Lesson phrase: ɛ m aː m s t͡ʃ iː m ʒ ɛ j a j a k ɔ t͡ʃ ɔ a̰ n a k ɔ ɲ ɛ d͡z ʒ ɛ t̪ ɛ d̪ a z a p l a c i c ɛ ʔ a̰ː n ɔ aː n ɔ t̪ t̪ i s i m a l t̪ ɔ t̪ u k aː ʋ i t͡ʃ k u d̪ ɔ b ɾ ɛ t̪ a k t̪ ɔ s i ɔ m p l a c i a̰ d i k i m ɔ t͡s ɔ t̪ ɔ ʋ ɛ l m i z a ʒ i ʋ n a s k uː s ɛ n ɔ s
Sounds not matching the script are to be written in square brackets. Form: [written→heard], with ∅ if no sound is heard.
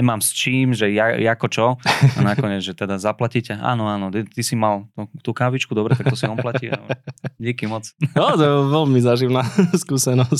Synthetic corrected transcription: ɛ m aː m s t͡ʃ iː m ʒ ɛ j a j a k ɔ t͡ʃ ɔ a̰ n a k ɔ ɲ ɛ d͡z ʒ ɛ t̪ ɛ d̪ a z a p l a c i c ɛ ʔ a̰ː n ɔ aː n ɔ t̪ t̪ i s i m a l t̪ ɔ t̪ u k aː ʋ i t͡ʃ k u d̪ ɔ b ɾ ɛ t̪ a k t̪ ɔ s i ɔ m p l a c i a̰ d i k i m ɔ t͡s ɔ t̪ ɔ ʋ ɛ l m i z a ʒ i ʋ n a s k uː s ɛ n ɔ s